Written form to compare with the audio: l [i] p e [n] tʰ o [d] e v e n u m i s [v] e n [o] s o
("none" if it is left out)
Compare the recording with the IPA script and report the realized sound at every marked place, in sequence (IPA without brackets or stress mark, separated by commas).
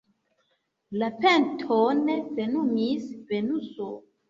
a, n, n, v, u